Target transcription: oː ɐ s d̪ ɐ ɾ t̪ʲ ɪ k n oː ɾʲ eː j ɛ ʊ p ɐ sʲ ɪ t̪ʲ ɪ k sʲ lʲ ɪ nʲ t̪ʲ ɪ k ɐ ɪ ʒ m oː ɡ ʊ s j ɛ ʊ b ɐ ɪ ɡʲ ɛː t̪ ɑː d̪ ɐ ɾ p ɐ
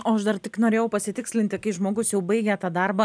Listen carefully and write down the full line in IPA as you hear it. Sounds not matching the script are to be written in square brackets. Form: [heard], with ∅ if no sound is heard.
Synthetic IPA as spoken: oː ɐ [ʃ] d̪ ɐ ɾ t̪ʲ ɪ k n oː ɾʲ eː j ɛ ʊ p ɐ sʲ ɪ t̪ʲ ɪ k sʲ lʲ ɪ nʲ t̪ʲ ɪ k ɐ ɪ ʒ m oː ɡ ʊ s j ɛ ʊ b ɐ ɪ ɡʲ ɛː t̪ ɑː d̪ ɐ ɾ [b] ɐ

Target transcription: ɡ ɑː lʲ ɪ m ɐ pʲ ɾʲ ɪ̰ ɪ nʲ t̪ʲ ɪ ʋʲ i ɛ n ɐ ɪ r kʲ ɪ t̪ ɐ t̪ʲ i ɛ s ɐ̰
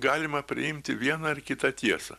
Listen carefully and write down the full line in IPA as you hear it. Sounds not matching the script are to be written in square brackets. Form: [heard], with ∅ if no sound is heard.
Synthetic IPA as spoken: ɡ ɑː lʲ ɪ m ɐ pʲ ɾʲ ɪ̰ ɪ [mʲ] t̪ʲ ɪ ʋʲ i ɛ n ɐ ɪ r kʲ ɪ t̪ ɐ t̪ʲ i ɛ s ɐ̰

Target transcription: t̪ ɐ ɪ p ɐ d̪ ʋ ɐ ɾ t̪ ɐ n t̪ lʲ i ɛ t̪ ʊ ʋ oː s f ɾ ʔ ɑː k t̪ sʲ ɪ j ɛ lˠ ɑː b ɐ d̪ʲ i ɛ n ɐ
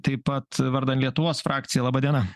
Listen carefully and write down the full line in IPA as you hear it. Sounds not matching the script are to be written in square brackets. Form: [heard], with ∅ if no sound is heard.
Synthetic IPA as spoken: t̪ ɐ ɪ p ɐ [t̪] ʋ ɐ ɾ [d̪] ɐ n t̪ lʲ i ɛ t̪ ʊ ʋ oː s f ɾ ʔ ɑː k t̪ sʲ ɪ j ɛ lˠ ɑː b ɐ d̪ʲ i ɛ n ɐ

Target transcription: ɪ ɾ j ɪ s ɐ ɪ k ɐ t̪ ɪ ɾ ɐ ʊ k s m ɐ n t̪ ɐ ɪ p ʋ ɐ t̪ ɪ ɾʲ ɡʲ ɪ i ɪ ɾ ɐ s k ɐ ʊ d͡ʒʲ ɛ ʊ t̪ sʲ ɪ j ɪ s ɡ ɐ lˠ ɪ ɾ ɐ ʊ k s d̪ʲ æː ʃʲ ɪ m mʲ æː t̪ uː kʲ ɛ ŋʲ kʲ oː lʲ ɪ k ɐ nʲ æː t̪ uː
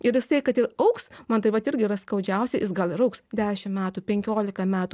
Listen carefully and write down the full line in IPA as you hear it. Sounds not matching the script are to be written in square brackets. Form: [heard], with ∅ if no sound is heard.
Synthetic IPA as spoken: ɪ ɾ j ɪ s ɐ ɪ k ɐ t̪ ɪ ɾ ɐ ʊ k s m ɐ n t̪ ɐ ɪ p ʋ ɐ t̪ ɪ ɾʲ ɡʲ ɪ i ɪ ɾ ɐ s k ɐ ʊ d͡ʒʲ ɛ ʊ [∅] sʲ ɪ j ɪ s ɡ ɐ lˠ ɪ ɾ ɐ ʊ k s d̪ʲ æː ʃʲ ɪ m mʲ æː t̪ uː [pʲ] ɛ ŋʲ kʲ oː lʲ ɪ k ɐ [mʲ] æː t̪ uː

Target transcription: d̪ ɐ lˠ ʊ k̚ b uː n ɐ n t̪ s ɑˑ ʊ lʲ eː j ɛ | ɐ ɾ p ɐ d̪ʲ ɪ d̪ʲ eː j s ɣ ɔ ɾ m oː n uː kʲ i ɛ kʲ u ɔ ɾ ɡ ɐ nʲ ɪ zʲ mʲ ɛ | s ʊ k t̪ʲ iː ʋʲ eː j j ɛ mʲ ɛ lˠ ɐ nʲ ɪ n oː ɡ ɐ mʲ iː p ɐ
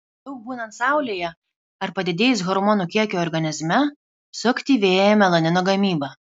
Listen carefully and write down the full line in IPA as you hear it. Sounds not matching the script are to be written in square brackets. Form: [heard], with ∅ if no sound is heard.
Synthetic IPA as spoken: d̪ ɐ [∅] ʊ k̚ b uː n ɐ n t̪ s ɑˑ ʊ lʲ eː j ɛ | ɐ ɾ p ɐ d̪ʲ ɪ d̪ʲ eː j s ɣ ɔ ɾ m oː n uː kʲ i ɛ kʲ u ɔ ɾ ɡ ɐ nʲ ɪ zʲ mʲ ɛ | s ʊ k t̪ʲ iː ʋʲ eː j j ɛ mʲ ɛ lˠ ɐ nʲ ɪ n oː ɡ ɐ mʲ iː [b] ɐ

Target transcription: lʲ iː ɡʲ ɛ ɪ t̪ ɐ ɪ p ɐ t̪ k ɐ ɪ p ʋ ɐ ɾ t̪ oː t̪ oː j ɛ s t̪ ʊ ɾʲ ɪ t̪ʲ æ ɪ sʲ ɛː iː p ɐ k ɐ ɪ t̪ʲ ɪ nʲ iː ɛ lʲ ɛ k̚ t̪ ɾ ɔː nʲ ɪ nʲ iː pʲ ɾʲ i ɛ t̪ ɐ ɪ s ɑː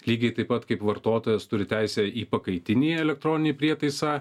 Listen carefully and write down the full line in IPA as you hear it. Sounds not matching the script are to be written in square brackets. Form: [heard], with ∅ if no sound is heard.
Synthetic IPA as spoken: lʲ iː ɡʲ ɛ ɪ t̪ ɐ ɪ p ɐ t̪ k ɐ ɪ p ʋ ɐ ɾ t̪ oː t̪ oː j ɛ s t̪ ʊ ɾʲ ɪ t̪ʲ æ ɪ sʲ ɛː iː p ɐ k ɐ ɪ t̪ʲ ɪ nʲ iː ɛ lʲ ɛ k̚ t̪ ɾ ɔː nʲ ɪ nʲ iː pʲ ɾʲ i ɛ t̪ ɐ ɪ s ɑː

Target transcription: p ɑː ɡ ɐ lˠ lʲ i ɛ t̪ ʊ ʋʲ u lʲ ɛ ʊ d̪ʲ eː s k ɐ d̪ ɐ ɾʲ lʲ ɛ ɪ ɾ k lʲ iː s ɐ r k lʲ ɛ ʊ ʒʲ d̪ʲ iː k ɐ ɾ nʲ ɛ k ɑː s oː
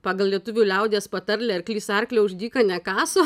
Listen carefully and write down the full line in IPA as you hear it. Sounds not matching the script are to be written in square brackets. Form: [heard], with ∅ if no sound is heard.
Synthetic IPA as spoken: p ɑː ɡ ɐ lˠ lʲ i ɛ t̪ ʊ ʋʲ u lʲ ɛ ʊ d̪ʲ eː s [p] ɐ [t̪] ɐ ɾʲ lʲ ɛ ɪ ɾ k lʲ iː s ɐ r k lʲ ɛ ʊ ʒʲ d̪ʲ iː k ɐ [∅] nʲ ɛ k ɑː s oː

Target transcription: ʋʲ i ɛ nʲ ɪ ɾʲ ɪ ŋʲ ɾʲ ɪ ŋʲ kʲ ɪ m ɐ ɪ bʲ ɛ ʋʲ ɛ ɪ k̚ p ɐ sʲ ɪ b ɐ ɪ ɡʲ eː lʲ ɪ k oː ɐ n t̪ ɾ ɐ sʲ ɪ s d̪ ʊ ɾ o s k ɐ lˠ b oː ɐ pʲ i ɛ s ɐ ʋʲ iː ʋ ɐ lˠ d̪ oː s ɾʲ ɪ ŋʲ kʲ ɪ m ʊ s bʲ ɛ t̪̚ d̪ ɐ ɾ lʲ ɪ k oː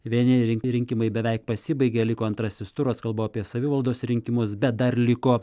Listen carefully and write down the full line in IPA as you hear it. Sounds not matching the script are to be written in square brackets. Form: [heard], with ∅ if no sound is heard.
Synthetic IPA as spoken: ʋʲ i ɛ nʲ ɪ ɾʲ ɪ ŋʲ ɾʲ ɪ ŋʲ kʲ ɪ m ɐ ɪ bʲ ɛ ʋʲ ɛ ɪ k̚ p ɐ sʲ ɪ b ɐ ɪ ɡʲ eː lʲ ɪ k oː ɐ n t̪ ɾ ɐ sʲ ɪ s [t̪] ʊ ɾ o s k ɐ lˠ b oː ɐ pʲ i ɛ s ɐ ʋʲ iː ʋ ɐ lˠ d̪ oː s ɾʲ ɪ ŋʲ kʲ ɪ m ʊ s bʲ ɛ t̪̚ d̪ ɐ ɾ lʲ ɪ k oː

